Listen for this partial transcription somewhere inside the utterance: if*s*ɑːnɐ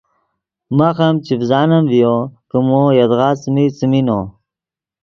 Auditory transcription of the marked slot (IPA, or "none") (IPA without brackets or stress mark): z